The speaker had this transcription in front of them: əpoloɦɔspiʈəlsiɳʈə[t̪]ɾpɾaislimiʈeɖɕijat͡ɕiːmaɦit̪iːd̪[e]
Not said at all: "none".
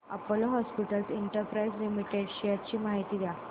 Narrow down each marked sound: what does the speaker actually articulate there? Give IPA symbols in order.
none, a

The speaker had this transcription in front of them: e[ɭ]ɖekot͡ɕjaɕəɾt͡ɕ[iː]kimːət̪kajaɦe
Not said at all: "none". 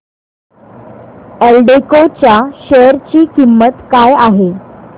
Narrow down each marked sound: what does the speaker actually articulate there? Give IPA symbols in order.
l, iː

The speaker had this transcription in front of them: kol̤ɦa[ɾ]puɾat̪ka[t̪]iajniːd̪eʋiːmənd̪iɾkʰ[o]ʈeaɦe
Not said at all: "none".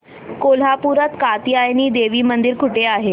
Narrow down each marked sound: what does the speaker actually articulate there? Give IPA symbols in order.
none, t̪, u

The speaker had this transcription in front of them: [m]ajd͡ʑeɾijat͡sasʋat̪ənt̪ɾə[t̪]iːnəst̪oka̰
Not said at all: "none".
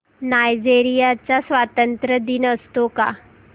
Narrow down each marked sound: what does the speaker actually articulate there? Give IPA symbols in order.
n, d̪

